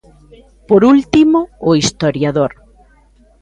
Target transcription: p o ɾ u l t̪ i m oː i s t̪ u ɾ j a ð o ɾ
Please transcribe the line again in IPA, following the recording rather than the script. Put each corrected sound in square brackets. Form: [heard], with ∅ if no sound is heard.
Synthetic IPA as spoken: p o ɾ u l t̪ i m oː i s t̪ [o] ɾ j a ð o ɾ